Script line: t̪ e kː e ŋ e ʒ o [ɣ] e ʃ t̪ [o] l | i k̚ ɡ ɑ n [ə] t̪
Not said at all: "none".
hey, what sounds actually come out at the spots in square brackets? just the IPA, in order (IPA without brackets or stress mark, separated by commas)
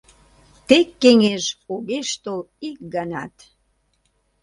ɣ, o, ɑ